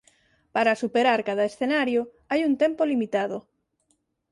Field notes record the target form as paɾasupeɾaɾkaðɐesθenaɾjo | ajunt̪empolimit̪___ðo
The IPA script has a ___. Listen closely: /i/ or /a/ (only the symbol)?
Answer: a